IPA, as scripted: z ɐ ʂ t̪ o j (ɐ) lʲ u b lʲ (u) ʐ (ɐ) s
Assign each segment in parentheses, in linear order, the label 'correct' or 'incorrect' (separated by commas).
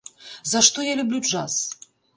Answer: incorrect, correct, incorrect